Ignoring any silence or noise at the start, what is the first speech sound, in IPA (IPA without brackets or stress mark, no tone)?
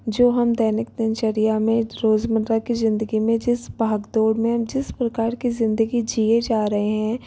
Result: d͡ʒ